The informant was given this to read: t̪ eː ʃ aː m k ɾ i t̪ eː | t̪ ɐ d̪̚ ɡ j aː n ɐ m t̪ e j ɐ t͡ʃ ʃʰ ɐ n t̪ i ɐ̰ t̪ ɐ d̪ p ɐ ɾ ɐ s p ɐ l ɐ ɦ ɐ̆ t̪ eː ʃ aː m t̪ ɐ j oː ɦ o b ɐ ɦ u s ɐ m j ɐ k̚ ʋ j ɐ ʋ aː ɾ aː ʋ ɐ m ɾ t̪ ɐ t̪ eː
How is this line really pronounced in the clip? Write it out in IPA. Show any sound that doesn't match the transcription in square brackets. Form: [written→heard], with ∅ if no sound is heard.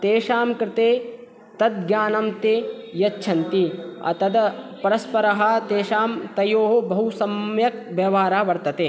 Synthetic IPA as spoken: t̪ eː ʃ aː m k ɾ [i→ɪ] t̪ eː | t̪ ɐ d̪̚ ɡ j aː n ɐ m t̪ e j ɐ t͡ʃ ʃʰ ɐ n t̪ i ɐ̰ t̪ ɐ d̪ p ɐ ɾ ɐ s p ɐ [l→ɾ] ɐ ɦ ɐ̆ t̪ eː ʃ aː m t̪ ɐ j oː ɦ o b ɐ ɦ u s ɐ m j ɐ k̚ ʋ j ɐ ʋ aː ɾ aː ʋ ɐ [m→∅] ɾ t̪ ɐ t̪ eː

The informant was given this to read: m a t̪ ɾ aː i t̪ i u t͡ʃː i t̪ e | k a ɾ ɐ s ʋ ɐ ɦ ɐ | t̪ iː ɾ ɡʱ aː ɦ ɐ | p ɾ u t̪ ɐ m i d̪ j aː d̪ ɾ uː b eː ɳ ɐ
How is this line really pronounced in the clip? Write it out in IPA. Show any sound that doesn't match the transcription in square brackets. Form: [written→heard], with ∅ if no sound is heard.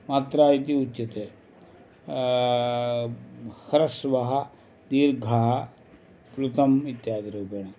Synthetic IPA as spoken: m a t̪ ɾ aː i t̪ i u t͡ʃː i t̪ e | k [a→ɐ] ɾ ɐ s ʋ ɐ ɦ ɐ | [t̪→d̪] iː ɾ ɡʱ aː ɦ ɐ | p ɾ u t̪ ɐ m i [d̪→t̪] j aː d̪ ɾ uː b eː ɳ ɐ

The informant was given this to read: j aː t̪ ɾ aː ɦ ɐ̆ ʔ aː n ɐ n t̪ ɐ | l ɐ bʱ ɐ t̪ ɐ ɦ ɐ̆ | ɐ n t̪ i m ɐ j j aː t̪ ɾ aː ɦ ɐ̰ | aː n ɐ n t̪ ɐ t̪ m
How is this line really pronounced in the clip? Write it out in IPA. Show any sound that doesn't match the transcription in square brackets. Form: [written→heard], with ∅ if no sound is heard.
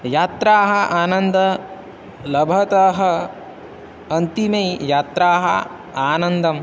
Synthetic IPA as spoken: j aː t̪ ɾ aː ɦ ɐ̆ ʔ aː n ɐ n [t̪→d̪] ɐ | l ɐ bʱ ɐ t̪ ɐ ɦ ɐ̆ | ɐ n t̪ i m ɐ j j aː t̪ ɾ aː ɦ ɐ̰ | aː n ɐ n [t̪→d̪] ɐ [t̪→∅] m

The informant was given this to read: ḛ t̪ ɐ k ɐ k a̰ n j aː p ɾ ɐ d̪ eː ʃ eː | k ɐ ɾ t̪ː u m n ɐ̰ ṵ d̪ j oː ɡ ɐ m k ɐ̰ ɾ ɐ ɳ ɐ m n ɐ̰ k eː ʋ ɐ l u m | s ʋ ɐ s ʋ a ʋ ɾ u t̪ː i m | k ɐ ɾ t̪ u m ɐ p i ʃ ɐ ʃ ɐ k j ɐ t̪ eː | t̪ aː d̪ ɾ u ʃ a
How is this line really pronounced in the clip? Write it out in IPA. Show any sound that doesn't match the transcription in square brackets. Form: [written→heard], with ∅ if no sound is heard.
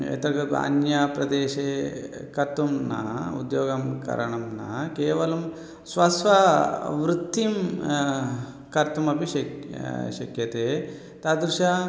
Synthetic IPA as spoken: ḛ t̪ ɐ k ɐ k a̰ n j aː p ɾ ɐ d̪ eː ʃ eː | k ɐ ɾ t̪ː u m n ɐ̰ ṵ d̪ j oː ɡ ɐ m k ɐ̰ ɾ ɐ ɳ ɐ m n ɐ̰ k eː ʋ ɐ l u m | s ʋ ɐ s ʋ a ʋ ɾ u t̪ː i m | k ɐ ɾ t̪ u m ɐ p i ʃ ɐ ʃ ɐ k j ɐ t̪ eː | t̪ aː d̪ ɾ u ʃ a

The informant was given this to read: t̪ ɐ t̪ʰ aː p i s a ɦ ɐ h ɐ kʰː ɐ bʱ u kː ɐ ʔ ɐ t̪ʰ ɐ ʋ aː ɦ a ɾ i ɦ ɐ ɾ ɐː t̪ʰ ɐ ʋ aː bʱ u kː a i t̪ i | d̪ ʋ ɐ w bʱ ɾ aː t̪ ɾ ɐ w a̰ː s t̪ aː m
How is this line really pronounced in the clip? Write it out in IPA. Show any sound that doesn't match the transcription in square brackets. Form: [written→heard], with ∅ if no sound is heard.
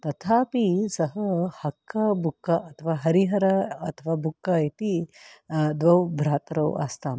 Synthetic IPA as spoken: t̪ ɐ t̪ʰ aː p i s [a→ɐ] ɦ ɐ h ɐ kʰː ɐ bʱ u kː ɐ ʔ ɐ t̪ʰ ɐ ʋ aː ɦ [a→ɐ] ɾ i ɦ ɐ ɾ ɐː t̪ʰ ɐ ʋ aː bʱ u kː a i t̪ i | d̪ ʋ ɐ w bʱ ɾ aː t̪ ɾ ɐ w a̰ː s t̪ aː m

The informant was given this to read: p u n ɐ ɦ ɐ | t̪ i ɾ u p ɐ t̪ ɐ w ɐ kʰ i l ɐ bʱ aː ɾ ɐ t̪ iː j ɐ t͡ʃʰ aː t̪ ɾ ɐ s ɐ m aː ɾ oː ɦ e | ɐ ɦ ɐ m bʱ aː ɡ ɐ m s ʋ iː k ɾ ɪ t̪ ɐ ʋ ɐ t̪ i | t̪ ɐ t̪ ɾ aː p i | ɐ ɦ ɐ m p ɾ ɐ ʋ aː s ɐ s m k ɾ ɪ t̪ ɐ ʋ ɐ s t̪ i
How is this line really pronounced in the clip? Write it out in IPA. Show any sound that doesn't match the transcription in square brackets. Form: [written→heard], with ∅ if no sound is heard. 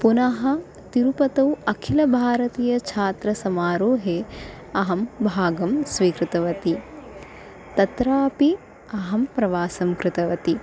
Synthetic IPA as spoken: p u n ɐ ɦ ɐ | t̪ i ɾ u p ɐ t̪ ɐ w ɐ kʰ i l ɐ bʱ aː ɾ ɐ t̪ iː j ɐ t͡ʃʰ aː t̪ ɾ ɐ s ɐ m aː ɾ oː ɦ e | ɐ ɦ ɐ m bʱ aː ɡ ɐ m s ʋ iː k ɾ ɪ t̪ ɐ ʋ ɐ t̪ i | t̪ ɐ t̪ ɾ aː p i | ɐ ɦ ɐ m p ɾ ɐ ʋ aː s ɐ [s→∅] m k ɾ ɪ t̪ ɐ ʋ ɐ [s→∅] t̪ i

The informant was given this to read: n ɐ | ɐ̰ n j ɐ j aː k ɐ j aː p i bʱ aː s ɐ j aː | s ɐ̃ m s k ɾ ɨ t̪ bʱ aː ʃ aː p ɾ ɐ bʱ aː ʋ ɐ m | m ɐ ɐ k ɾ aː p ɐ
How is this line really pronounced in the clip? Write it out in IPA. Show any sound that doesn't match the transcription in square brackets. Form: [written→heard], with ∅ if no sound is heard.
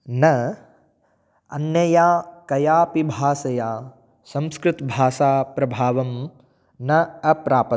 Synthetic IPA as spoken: n ɐ | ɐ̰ n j ɐ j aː k ɐ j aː p i bʱ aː s ɐ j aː | s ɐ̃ m s k ɾ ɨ t̪ bʱ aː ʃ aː p ɾ ɐ bʱ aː ʋ ɐ m | [m→n] ɐ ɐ [k→p] ɾ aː p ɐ

